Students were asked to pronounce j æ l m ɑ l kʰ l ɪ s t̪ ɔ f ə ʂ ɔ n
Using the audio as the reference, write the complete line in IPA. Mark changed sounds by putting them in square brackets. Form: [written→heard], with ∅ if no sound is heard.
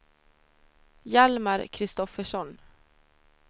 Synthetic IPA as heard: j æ l m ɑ [l→ɾ] kʰ [l→ɾ] ɪ s t̪ ɔ f ə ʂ ɔ n